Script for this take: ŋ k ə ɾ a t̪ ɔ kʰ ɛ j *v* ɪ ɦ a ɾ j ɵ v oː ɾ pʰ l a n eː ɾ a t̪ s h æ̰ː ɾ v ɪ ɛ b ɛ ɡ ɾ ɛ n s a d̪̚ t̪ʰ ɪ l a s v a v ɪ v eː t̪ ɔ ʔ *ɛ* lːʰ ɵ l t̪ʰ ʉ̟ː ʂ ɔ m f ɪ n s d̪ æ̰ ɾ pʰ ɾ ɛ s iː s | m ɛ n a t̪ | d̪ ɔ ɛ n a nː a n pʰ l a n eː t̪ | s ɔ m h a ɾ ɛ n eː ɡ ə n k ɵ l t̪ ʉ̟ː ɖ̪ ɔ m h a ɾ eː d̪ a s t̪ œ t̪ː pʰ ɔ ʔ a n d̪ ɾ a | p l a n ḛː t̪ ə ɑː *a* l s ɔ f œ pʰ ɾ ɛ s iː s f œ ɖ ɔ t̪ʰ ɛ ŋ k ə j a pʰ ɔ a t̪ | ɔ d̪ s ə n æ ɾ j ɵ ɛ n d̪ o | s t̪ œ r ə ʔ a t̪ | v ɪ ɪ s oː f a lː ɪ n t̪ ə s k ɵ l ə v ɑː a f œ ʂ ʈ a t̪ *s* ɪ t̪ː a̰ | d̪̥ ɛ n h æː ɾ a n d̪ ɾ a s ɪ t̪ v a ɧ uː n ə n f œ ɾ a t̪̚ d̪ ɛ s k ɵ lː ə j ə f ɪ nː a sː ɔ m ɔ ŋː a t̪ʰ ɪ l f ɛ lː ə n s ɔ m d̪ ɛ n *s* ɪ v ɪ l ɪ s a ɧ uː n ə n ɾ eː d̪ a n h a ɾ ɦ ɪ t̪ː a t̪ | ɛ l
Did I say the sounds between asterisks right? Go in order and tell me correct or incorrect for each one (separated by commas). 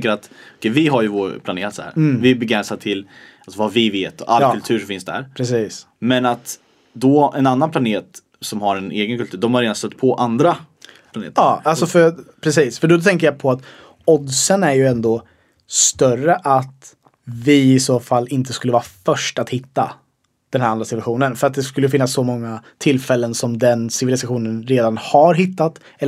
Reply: correct, incorrect, correct, incorrect, correct